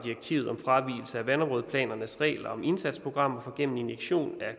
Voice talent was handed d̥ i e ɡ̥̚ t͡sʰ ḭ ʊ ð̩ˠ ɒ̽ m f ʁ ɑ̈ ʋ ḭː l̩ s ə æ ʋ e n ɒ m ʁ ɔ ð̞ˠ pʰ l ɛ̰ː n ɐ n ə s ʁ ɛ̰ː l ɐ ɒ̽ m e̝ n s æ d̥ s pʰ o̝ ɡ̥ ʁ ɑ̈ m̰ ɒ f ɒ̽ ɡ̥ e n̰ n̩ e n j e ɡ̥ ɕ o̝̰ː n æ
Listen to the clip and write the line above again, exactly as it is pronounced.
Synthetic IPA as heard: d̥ i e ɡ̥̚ t͡sʰ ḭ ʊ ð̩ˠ ɒ̽ m f ʁ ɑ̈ ʋ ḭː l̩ s ə æ ʋ æ n ɒ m ʁ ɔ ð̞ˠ pʰ l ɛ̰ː n ɐ n ə s ʁ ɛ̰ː l ɐ ɒ̽ m e̝ n s æ d̥ s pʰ o̝ ɡ̥ ʁ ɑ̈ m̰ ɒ f ɒ̽ ɡ̥ e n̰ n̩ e n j e ɡ̥ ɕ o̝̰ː n æ